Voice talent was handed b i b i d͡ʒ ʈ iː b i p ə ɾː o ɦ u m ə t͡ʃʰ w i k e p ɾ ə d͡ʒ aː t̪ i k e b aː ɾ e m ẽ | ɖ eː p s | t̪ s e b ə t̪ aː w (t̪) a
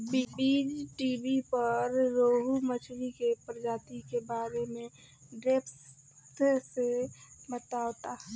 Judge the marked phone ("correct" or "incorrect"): correct